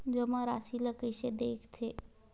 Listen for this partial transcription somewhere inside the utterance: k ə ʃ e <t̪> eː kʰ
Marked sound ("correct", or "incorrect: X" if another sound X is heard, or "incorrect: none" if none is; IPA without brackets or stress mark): incorrect: d̪